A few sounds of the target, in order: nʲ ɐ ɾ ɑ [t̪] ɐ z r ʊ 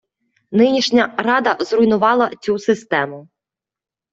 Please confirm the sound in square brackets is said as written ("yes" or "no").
no